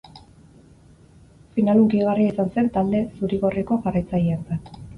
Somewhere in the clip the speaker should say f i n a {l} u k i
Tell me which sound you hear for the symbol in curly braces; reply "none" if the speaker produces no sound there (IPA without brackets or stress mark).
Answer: l